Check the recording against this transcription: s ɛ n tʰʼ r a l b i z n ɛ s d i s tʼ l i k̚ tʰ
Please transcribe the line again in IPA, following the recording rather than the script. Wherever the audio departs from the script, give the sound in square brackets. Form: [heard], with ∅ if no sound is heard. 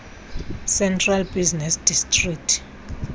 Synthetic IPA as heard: s ɛ n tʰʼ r a l b i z n ɛ s d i s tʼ [r] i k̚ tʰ